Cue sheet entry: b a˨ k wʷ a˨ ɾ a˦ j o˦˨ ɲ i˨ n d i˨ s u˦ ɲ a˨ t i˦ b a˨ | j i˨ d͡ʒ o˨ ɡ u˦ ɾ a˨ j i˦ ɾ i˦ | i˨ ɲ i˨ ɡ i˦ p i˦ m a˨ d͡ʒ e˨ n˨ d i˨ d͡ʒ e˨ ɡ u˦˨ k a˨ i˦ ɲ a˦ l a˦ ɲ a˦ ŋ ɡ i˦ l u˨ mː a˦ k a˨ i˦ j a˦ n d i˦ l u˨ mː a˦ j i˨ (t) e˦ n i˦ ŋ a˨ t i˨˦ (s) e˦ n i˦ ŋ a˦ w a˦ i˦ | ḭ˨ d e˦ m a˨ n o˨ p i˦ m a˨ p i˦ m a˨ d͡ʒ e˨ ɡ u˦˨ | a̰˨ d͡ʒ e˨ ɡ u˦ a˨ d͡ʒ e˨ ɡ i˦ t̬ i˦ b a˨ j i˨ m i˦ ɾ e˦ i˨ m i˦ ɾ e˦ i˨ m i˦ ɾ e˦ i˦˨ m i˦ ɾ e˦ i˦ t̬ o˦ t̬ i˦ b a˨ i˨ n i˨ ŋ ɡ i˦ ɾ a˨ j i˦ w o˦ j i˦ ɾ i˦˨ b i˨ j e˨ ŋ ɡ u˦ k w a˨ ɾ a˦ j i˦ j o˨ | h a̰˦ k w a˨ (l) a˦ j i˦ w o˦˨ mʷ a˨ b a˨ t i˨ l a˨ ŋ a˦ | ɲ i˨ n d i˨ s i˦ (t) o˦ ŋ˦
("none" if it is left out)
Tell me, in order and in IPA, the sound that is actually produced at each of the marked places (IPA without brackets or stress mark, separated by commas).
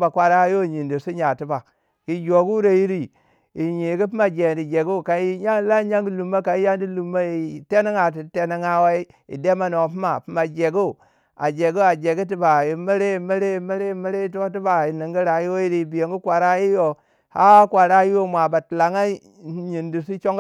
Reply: t, t, ɾ, t͡ʃ